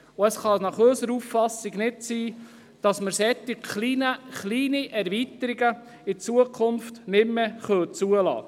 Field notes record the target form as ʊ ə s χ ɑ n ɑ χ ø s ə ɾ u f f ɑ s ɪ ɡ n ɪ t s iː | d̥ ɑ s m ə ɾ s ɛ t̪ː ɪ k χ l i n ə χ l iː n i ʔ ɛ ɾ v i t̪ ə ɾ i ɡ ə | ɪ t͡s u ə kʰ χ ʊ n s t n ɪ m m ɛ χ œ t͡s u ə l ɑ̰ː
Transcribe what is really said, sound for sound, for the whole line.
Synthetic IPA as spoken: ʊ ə s χ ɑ n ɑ χ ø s ə ɾ u f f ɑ s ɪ ɡ n ɪ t s iː | d̥ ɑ s m ə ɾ s ɛ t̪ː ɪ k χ l i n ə χ l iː n i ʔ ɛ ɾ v i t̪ ə ɾ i ɡ ə | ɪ t͡s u ə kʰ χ ʊ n f t n ɪ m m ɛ χ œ t͡s u ə l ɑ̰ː

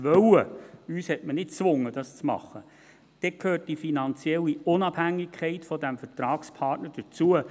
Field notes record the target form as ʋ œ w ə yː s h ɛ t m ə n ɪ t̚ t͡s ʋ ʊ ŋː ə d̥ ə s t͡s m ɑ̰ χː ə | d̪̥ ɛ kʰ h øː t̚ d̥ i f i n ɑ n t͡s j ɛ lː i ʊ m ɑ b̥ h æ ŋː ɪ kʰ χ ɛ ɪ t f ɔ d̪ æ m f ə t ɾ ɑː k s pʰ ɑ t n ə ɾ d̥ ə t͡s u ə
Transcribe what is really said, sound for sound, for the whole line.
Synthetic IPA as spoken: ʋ œ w ə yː s h ɛ t m ə n ɪ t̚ t͡s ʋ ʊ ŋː ə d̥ ɑ s t͡s m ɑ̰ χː ə | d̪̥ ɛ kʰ h øː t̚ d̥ i f i n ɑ n t͡s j ɛ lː i ʊ n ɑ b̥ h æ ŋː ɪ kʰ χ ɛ ɪ t f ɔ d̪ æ m f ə t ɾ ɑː k s pʰ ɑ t n ə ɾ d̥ ə t͡s u ə

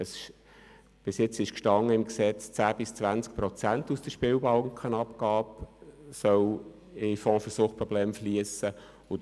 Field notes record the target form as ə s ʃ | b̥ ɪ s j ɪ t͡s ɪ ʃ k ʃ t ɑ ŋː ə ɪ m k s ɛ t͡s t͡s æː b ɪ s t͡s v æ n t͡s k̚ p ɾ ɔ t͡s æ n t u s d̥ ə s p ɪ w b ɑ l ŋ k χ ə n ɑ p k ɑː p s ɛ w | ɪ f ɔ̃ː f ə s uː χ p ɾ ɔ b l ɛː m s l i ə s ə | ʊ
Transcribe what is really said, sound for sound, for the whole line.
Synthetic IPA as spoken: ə s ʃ | b̥ ɪ s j ɪ t͡s ɪ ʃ k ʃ t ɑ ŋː ə ɪ m k s ɛ t͡s t͡s æː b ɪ s t͡s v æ n t͡s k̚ p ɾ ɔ t͡s æ n t u s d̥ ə ʃ p ɪ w b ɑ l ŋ k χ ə n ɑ p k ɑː p s œ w | ɪ f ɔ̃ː f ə s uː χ p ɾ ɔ b l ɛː m f l i ə s ə | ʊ

